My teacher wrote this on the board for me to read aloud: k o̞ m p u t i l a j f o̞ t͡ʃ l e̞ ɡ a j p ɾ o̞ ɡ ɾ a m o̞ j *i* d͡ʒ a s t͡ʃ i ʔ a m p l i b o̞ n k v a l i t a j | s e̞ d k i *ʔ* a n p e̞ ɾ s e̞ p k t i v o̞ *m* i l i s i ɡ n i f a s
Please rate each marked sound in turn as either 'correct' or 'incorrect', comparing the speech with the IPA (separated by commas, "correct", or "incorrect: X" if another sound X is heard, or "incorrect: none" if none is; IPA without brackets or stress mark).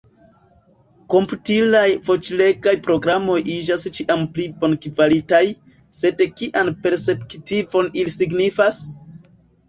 correct, correct, incorrect: n